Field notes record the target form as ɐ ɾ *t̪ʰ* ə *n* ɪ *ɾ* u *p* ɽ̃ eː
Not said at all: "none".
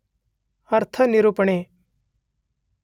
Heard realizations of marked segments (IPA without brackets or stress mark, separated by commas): t̪ʰ, n, ɾ, p